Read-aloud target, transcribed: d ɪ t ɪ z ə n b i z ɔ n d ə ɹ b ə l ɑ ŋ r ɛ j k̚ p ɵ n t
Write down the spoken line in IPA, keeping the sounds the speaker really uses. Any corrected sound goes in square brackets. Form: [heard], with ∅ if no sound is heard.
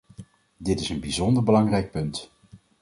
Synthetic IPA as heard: d ɪ t ɪ [s] ə n b i z ɔ n d ə ɹ b ə l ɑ ŋ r ɛ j k̚ p ɵ n t